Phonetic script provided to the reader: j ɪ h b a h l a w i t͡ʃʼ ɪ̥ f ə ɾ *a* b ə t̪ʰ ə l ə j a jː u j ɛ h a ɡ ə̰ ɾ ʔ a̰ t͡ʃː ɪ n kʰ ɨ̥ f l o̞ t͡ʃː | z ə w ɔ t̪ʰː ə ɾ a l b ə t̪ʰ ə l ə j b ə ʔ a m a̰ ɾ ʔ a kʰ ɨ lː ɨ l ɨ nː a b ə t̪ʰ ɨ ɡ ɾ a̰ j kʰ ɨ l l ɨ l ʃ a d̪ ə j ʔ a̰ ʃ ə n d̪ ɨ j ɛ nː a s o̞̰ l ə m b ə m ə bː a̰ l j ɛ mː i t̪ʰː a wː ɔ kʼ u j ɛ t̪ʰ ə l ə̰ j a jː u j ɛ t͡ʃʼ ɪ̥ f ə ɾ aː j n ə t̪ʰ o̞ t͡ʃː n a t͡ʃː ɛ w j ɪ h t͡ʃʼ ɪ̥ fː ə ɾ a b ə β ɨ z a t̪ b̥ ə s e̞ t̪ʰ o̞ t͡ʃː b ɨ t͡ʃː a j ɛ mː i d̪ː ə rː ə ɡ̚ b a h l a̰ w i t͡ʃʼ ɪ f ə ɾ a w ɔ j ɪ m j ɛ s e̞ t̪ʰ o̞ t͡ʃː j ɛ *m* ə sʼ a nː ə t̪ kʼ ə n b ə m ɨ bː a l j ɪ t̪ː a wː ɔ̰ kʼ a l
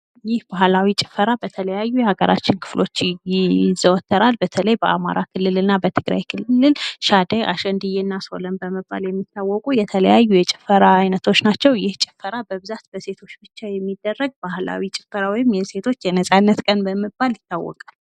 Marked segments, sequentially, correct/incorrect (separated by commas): correct, incorrect